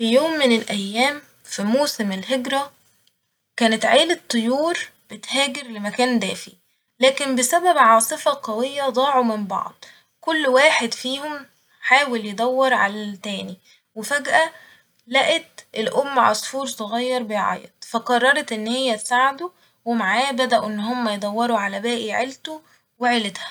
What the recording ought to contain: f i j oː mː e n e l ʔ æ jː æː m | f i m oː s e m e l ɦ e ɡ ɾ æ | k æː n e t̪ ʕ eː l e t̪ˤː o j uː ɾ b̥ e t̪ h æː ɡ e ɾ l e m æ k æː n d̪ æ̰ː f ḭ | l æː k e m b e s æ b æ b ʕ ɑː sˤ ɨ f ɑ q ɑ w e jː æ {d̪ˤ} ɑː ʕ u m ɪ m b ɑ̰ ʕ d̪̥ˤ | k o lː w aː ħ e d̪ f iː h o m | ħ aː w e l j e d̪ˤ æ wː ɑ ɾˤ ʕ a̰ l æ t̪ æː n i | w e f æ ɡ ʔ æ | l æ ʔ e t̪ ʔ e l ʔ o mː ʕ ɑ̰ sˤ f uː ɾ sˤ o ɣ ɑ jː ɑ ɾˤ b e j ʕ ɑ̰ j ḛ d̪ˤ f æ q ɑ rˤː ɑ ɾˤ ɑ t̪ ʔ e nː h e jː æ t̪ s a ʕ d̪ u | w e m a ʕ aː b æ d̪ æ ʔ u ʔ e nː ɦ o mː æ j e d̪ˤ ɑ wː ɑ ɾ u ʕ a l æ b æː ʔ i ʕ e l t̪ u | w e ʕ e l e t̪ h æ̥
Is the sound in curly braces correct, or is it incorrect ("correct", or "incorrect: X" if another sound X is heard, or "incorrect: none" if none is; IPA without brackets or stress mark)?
correct